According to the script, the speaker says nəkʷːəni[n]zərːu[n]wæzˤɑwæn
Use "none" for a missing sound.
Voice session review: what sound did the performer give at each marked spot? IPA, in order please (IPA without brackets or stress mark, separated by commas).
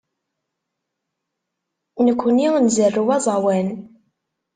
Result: n, none